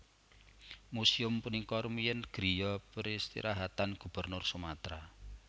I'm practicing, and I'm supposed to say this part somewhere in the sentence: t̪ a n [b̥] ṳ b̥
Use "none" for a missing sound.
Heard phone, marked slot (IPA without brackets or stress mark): ɡ̥